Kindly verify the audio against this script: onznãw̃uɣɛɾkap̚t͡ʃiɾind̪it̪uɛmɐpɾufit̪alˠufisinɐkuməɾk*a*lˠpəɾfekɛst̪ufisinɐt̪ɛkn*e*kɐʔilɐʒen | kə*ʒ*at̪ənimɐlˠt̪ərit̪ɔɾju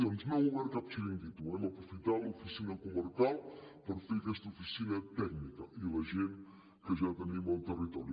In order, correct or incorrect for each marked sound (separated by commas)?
correct, incorrect, correct